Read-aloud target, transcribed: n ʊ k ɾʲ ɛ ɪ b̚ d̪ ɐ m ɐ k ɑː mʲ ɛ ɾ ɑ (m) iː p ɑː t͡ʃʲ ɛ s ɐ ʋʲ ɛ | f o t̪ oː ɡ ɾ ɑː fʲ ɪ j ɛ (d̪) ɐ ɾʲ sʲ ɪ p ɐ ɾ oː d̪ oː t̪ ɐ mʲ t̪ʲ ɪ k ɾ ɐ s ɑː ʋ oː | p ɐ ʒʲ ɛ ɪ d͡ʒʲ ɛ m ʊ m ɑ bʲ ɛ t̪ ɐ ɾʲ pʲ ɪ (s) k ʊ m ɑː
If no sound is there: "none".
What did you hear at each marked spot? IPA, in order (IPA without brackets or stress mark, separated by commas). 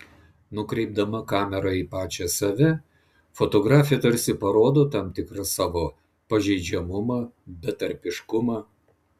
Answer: none, t̪, ʃ